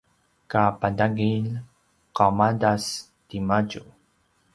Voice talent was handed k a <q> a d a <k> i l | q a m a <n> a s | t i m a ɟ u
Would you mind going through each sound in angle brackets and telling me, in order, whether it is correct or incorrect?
incorrect, incorrect, incorrect

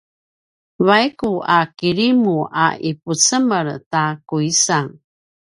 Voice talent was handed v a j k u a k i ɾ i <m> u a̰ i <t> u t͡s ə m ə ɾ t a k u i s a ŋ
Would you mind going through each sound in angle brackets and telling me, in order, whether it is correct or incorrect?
correct, incorrect

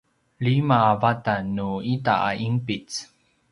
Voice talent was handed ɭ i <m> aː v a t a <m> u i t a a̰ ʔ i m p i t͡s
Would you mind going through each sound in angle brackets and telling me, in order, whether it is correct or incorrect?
correct, incorrect

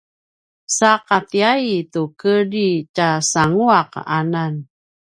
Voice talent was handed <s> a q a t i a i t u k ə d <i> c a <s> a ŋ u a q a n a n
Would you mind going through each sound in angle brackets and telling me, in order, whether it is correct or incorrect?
correct, correct, correct

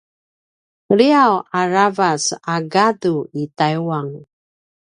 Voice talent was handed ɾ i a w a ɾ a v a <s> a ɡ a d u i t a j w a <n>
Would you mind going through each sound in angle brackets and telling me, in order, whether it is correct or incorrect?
correct, incorrect

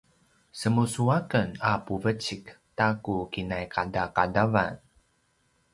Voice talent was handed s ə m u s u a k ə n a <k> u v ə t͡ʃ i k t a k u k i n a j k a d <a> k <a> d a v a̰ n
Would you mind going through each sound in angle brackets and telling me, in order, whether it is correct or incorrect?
incorrect, correct, correct

